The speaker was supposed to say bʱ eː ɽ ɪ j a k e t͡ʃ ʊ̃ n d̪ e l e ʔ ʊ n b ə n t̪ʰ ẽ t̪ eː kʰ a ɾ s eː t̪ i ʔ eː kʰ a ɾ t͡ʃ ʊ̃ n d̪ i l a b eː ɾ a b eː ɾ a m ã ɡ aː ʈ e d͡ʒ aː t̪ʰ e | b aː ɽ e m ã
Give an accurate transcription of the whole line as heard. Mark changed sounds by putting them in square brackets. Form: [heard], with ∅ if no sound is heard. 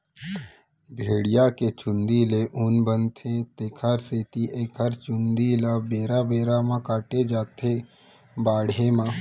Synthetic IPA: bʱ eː ɽ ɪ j a k e t͡ʃ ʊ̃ n d̪ [i] l e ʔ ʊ n b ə n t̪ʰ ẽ t̪ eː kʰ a ɾ s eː t̪ i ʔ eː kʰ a ɾ t͡ʃ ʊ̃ n d̪ i l a b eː ɾ a b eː ɾ a m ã [k] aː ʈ e d͡ʒ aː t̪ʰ e | b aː ɽ e m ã